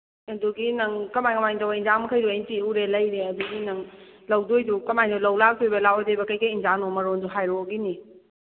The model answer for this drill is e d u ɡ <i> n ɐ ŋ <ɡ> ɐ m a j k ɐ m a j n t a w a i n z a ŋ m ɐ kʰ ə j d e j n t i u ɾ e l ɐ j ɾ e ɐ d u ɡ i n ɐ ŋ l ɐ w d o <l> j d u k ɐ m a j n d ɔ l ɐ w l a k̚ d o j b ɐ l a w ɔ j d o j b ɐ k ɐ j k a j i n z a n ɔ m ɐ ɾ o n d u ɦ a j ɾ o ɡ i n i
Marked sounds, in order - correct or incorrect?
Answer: correct, incorrect, incorrect

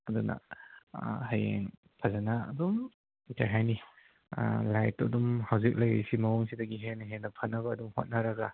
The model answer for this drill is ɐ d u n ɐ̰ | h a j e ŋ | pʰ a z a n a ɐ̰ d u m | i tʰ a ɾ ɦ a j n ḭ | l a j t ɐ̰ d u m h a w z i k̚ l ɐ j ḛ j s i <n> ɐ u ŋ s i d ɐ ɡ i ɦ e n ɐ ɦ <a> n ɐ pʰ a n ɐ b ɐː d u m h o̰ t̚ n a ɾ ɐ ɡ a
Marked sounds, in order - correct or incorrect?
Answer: incorrect, incorrect

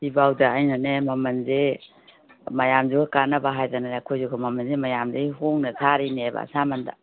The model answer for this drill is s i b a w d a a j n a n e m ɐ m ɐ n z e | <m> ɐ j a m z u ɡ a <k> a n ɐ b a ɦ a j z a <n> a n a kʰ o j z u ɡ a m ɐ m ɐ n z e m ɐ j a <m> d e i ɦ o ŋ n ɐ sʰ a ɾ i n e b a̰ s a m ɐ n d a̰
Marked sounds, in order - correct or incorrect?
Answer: correct, correct, correct, correct

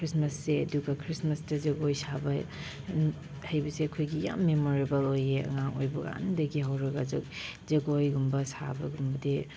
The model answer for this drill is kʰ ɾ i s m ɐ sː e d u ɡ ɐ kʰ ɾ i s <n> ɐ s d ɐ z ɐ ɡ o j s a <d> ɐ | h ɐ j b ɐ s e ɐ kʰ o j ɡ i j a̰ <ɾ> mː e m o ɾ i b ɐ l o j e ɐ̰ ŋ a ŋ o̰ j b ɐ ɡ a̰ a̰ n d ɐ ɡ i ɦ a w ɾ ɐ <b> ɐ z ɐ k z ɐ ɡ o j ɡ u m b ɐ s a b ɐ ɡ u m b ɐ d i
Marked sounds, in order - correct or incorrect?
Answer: incorrect, incorrect, incorrect, incorrect

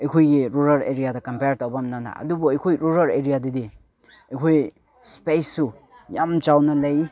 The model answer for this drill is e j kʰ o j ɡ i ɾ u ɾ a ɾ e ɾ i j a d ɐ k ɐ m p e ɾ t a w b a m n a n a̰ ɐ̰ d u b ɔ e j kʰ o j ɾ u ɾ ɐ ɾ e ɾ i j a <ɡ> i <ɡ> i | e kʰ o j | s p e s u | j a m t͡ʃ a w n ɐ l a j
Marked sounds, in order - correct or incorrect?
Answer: incorrect, incorrect

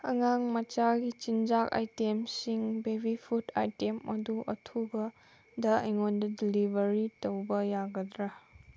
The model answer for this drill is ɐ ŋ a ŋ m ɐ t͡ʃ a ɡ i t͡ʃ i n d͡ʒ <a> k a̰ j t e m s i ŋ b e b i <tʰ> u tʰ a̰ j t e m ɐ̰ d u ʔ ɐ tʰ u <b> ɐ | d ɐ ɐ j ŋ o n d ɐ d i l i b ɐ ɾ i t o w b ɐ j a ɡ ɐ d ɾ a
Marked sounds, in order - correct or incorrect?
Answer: correct, incorrect, correct

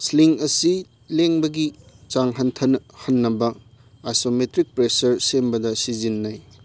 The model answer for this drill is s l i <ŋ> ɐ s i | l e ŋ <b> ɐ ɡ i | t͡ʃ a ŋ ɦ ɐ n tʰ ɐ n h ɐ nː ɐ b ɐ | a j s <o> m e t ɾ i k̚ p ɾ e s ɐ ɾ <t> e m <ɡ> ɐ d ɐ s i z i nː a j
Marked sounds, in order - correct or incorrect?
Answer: correct, correct, correct, incorrect, incorrect

